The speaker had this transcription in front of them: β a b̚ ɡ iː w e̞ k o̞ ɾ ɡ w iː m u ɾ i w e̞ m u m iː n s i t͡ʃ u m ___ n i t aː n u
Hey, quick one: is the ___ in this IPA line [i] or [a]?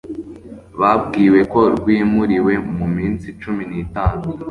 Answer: i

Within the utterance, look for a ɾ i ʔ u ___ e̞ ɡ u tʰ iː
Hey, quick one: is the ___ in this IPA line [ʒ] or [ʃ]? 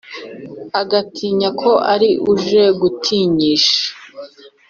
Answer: ʒ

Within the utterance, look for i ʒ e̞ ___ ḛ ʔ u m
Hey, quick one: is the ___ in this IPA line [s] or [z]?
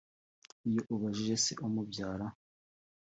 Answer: s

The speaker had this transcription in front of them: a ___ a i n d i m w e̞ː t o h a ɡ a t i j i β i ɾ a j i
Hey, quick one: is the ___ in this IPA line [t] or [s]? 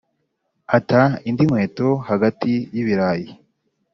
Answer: t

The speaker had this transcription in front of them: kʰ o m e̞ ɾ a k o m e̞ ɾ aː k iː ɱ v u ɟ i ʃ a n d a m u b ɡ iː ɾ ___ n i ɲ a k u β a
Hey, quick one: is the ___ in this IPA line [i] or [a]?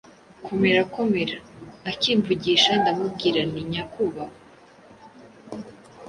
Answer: a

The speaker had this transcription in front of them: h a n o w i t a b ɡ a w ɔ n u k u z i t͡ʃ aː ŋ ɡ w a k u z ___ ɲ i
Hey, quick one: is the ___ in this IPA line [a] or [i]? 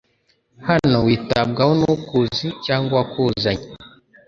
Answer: a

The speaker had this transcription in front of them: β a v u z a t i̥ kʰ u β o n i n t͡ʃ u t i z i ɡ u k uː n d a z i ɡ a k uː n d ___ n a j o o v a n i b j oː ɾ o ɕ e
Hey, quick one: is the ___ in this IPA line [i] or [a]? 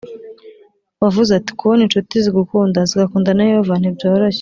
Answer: a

